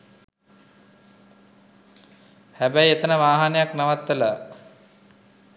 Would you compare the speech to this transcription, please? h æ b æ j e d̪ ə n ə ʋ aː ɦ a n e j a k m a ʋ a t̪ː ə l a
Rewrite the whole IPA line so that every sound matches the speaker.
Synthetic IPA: h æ b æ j e t̪ ə n ə ʋ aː ɦ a n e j a k n a ʋ a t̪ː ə l a